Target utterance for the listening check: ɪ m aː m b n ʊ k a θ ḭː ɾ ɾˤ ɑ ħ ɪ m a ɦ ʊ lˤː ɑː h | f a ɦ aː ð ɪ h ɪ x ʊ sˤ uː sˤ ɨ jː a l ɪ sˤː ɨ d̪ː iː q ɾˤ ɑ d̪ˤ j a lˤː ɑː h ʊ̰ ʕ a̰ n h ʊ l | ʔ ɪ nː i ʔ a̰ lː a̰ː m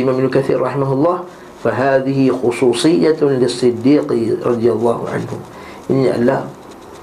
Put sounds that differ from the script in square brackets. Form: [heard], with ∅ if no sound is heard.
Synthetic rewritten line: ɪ m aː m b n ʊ k a θ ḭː ɾ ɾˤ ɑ ħ ɪ m a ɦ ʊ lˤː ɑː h | f a ɦ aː ð ɪ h ɪ x ʊ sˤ uː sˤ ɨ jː a l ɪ sˤː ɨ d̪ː iː q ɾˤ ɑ d̪ˤ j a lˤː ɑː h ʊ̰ ʕ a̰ n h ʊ [∅] | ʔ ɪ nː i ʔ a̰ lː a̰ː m